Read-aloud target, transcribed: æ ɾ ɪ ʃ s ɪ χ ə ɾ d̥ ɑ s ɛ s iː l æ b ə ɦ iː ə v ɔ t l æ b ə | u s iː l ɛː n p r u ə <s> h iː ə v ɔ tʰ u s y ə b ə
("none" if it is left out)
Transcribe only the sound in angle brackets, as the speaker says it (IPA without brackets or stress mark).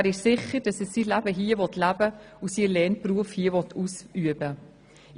f